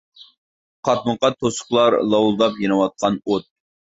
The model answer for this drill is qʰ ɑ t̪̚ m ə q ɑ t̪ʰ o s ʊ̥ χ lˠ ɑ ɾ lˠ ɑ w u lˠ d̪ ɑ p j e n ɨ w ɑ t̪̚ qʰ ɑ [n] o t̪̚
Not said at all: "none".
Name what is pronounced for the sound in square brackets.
n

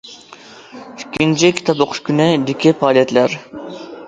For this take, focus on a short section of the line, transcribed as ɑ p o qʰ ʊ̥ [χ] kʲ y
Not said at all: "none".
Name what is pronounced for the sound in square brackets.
ʃ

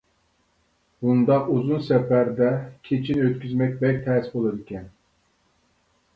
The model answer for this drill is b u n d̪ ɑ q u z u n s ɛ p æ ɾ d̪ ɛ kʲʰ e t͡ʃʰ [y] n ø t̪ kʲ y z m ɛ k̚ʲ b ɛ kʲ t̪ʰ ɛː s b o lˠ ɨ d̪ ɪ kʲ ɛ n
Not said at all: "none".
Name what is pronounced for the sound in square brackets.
i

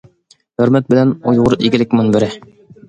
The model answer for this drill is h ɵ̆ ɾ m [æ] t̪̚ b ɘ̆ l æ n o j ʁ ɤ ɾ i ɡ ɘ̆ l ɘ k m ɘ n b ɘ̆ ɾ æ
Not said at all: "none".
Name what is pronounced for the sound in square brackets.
æ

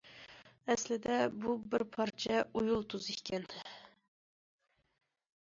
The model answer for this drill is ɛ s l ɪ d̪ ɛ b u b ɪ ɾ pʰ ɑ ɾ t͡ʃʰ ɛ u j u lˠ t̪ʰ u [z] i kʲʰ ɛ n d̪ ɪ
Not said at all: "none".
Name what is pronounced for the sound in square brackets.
z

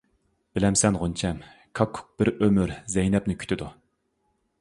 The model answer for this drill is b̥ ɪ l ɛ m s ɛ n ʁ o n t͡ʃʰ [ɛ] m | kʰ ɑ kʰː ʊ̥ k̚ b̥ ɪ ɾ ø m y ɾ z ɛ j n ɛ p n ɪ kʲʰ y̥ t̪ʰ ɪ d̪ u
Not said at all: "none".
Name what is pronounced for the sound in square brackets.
ɛ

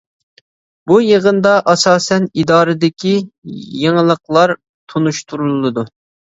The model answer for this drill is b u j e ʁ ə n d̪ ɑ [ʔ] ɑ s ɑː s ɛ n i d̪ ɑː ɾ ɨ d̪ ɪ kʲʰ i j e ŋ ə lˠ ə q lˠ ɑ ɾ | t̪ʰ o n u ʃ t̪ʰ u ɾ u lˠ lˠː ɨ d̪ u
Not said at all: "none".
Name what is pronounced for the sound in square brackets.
ʔ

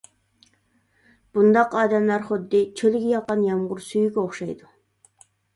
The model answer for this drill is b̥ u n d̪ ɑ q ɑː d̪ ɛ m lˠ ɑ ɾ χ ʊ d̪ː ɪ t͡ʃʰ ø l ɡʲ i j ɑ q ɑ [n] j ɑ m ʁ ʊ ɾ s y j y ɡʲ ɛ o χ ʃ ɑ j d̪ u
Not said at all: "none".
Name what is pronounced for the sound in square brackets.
n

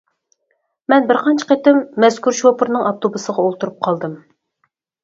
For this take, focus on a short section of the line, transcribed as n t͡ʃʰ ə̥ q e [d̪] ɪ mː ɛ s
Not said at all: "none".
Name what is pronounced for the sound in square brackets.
t̪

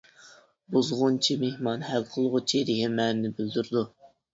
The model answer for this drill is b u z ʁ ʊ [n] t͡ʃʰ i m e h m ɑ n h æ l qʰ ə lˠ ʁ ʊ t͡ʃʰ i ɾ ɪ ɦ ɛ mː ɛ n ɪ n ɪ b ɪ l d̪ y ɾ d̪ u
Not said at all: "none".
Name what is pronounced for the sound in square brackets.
n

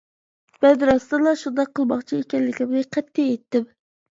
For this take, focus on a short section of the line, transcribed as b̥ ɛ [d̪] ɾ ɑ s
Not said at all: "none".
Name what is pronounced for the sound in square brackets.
d̪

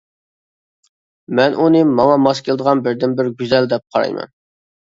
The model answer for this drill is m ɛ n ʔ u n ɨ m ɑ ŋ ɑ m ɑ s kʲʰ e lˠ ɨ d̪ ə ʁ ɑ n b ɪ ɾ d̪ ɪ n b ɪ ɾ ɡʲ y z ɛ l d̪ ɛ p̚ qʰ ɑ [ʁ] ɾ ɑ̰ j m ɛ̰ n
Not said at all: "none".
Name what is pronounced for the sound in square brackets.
none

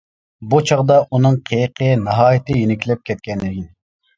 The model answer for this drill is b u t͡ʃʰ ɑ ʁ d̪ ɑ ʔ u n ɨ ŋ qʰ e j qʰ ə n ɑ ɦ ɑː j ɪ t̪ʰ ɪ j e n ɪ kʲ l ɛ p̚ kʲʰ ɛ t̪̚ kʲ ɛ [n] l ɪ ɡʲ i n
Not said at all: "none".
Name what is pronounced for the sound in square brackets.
n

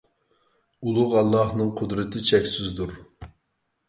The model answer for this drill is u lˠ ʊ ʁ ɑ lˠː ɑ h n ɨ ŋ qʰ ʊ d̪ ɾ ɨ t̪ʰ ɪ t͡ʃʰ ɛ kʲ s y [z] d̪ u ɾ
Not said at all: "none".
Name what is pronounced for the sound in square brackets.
z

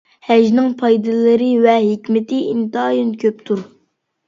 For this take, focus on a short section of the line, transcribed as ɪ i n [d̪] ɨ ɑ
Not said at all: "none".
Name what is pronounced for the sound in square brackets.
t̪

